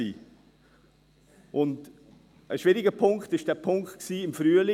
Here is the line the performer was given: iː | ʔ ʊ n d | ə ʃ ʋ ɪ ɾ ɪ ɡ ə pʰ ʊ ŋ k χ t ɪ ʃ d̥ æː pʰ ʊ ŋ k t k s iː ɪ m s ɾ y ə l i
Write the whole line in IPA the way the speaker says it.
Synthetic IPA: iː | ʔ ʊ n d | ə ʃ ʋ ɪ ɾ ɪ ɡ ə pʰ ʊ ŋ k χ t ɪ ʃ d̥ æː pʰ ʊ ŋ k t k s iː ɪ m f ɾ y ə l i